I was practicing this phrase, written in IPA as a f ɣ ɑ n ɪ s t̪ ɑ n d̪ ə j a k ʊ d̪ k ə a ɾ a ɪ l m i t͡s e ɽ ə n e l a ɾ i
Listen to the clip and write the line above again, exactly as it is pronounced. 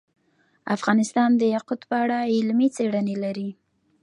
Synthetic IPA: a f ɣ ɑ n ɪ s t̪ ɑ n d̪ ə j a q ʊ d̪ p ə a ɽ a ɪ l m i t͡s e ɽ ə n e l a ɾ i